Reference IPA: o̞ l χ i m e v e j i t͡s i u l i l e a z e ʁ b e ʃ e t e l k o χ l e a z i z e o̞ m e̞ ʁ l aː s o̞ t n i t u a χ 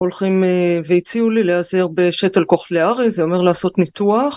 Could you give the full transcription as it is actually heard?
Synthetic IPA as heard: o̞ l χ i m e v e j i t͡s i u l i l e a z e ʁ b e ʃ e t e l k o χ l e a ʁ i z e o̞ m e̞ ʁ l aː s o̞ t n i t u a χ